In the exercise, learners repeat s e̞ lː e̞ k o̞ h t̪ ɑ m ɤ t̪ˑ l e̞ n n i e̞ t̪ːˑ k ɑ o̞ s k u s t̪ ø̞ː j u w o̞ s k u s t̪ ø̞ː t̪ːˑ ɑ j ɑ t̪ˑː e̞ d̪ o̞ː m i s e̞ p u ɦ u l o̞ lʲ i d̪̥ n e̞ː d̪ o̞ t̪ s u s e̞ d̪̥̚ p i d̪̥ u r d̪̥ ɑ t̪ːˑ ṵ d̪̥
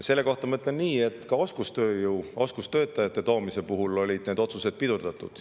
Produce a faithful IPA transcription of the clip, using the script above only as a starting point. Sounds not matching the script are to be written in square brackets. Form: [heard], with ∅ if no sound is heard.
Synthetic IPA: s e̞ lː e̞ k o̞ h t̪ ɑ m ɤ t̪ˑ l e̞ n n [iː] e̞ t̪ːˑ k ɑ o̞ s k u s t̪ ø̞ː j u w o̞ s k u s t̪ ø̞ː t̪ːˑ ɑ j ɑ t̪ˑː e̞ [t̪] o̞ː m i s e̞ p u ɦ u l o̞ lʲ i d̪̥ n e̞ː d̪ o̞ t̪ s u s e̞ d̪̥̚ p i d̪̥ u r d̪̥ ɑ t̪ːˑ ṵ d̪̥